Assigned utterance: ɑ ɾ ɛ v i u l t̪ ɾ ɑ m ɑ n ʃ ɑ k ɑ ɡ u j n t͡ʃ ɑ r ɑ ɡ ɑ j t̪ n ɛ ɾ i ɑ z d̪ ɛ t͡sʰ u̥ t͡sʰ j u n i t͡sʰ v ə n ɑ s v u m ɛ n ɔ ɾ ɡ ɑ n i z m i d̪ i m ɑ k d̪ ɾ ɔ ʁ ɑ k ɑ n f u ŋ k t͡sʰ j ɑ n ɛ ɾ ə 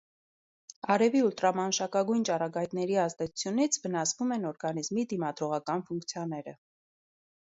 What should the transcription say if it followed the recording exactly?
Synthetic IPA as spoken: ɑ ɾ ɛ v i u l t̪ ɾ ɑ m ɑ n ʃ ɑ k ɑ ɡ u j n t͡ʃ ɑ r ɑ ɡ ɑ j t̪ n ɛ ɾ i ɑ z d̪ ɛ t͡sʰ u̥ t͡sʰ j u n i t͡sʰ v ə n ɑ s v u m ɛ n ɔ ɾ ɡ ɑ n i z m i d̪ i m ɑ d̪ ɾ ɔ ʁ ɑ k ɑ n f u ŋ k t͡sʰ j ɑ n ɛ ɾ ə

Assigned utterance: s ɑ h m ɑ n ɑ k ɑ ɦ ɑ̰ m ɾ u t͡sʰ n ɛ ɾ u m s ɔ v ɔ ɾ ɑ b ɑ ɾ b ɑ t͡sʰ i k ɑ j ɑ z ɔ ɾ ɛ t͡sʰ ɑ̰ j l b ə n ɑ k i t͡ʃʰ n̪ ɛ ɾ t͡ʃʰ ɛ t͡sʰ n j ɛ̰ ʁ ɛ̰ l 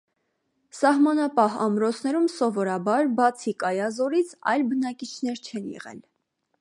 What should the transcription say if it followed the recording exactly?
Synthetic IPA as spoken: s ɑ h m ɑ n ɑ p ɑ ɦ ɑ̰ m ɾ ɔ t͡sʰ n ɛ ɾ u m s ɔ v ɔ ɾ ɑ b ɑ ɾ b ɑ t͡sʰ i k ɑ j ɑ z ɔ ɾ i t͡sʰ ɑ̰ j l b ə n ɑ k i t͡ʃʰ n̪ ɛ ɾ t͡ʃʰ ɛ n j ɛ̰ ʁ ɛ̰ l

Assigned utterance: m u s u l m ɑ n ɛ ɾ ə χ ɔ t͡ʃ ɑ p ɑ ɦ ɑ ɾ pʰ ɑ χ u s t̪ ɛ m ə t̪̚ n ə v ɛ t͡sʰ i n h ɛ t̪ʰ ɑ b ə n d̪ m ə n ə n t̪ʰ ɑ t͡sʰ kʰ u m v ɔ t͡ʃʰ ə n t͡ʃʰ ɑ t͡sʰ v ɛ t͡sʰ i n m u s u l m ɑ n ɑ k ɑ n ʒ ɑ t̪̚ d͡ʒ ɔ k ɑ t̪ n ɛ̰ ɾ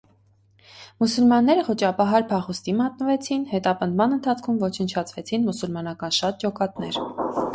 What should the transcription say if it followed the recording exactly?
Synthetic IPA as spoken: m u s u l m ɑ nː ɛ ɾ ə χ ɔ t͡ʃ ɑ p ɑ ɦ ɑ ɾ pʰ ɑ χ u s t̪ i m ɑ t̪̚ n ə v ɛ t͡sʰ i n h ɛ t̪ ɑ p ə n d̪ m ɑ n ə n t̪ʰ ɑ t͡sʰ kʰ u m v ɔ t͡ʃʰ ə n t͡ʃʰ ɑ t͡sʰ v ɛ t͡sʰ i n m u s u l m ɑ n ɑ k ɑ n ʃ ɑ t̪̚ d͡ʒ ɔ k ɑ t̪ n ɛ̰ ɾ

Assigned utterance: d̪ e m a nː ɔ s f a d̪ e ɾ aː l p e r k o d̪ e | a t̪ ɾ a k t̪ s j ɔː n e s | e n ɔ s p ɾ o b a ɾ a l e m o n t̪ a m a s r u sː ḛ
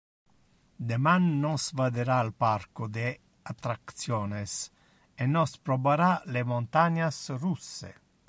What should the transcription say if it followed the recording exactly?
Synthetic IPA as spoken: d̪ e m a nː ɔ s v a d̪ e ɾ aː l p a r k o d̪ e | a t̪ ɾ a k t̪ s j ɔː n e s | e n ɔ s p ɾ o b a ɾ a l e m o n t̪ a ɲ a s r u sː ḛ

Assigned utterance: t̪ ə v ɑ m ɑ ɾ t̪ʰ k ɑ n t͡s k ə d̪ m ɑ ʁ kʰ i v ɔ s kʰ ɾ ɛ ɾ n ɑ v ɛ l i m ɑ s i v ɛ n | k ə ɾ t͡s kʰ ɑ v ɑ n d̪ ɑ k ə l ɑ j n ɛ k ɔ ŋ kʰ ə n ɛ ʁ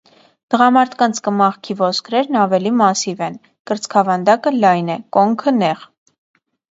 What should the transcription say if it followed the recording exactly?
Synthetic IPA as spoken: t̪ ə ʁ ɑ m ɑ ɾ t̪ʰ k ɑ n t͡sʰ k ə m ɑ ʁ kʰ i v ɔ s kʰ ɾ ɛ ɾ n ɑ v ɛ l i m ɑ s i v ɛ n | k ə ɾ t͡s kʰ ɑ v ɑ n d̪ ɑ k ə l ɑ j n ɛ k ɔ ŋ kʰ ə n ɛ ʁ

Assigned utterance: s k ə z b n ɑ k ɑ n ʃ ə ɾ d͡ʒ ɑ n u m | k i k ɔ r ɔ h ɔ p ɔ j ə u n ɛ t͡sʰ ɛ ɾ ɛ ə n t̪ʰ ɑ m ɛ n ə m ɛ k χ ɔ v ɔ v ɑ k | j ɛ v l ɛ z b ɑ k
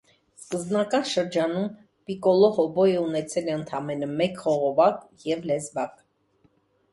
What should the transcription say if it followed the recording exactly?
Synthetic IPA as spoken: s k ə z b n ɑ k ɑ n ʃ ə ɾ d͡ʒ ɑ n u m | p i k ɔ l ɔ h ɔ b ɔ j ə u n ɛ t͡sʰ ɛ l ɛ ə n t̪ʰ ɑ m ɛ n ə m ɛ k χ ɔ ʁ ɔ v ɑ k | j ɛ v l ɛ z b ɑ k

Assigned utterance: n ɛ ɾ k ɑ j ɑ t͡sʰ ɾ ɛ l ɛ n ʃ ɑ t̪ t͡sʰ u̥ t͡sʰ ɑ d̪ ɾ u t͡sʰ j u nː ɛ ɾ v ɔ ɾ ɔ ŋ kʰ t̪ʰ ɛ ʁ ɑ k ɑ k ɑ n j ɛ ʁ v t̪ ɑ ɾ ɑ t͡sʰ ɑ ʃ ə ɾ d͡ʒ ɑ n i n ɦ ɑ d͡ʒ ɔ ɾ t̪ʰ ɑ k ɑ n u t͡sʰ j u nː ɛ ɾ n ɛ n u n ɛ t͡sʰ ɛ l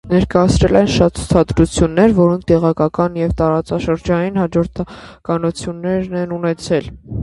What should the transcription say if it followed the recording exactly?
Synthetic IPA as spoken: n ɛ ɾ k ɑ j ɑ t͡sʰ ɾ ɛ l ɛ n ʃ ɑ t̪ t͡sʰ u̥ t͡sʰ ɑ d̪ ɾ u t͡sʰ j u nː ɛ ɾ v ɔ ɾ ɔ ŋ kʰ t̪ ɛ ʁ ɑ k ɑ k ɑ n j ɛ v t̪ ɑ ɾ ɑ t͡s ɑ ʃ ə ɾ d͡ʒ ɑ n i n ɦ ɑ d͡ʒ ɔ ɾ t̪ʰ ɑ k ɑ n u t͡sʰ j u nː ɛ ɾ n ɛ n u n ɛ t͡sʰ ɛ l

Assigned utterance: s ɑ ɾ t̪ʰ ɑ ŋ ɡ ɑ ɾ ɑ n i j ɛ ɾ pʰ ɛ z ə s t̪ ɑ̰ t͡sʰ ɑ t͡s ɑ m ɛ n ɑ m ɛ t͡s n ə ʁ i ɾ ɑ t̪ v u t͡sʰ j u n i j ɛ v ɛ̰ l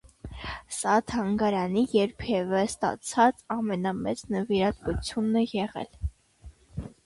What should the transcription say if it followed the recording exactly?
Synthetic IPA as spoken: s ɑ t̪ʰ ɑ ŋ ɡ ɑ ɾ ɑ n i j ɛ ɾ pʰ ɛ v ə s t̪ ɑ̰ t͡sʰ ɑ t͡s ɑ m ɛ n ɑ m ɛ t͡s n ə v i ɾ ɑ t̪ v u t͡sʰ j u n ɛ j ɛ ʁ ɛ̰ l

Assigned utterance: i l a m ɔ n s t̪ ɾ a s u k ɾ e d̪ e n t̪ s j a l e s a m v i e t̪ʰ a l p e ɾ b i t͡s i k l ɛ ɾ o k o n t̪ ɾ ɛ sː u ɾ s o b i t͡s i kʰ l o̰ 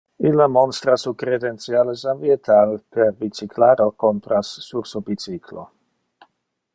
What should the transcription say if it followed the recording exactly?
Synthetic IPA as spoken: i l a m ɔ n s t̪ ɾ a s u k ɾ e d̪ e n t̪ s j a l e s a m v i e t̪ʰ a l p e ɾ b i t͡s i k l a ɾ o k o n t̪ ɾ a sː u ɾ s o b i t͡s i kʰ l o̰

